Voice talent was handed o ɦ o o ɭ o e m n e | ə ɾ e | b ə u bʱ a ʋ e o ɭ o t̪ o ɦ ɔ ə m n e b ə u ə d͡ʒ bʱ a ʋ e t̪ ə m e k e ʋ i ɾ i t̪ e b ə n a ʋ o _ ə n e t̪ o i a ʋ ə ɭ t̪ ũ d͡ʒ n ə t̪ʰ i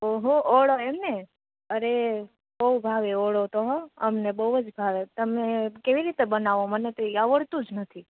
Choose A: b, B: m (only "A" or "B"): B